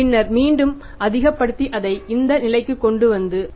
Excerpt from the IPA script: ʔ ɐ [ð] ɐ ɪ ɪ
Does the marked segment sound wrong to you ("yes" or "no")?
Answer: no